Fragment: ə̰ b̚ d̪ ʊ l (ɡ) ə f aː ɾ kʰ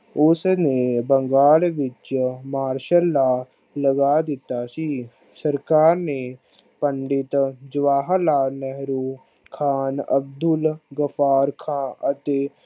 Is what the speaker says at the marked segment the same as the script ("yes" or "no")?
yes